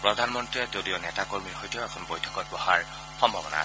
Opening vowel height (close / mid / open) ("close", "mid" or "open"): mid